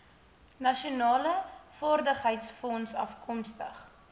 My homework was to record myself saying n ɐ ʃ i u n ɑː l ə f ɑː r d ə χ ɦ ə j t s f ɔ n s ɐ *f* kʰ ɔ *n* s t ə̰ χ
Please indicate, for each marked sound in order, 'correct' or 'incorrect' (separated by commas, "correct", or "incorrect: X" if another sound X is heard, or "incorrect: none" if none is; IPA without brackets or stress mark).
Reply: correct, incorrect: m